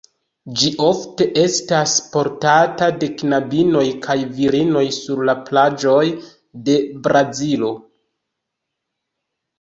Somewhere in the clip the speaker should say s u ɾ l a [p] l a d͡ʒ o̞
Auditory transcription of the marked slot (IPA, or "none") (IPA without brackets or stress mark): p